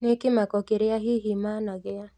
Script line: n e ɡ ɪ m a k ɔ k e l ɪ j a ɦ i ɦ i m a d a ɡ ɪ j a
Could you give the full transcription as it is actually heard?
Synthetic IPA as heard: n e k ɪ m a k ɔ k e ɾ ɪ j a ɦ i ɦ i m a n a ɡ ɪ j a